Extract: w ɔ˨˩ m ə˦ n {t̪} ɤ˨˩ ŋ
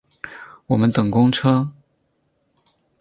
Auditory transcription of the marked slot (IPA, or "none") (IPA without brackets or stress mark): t̪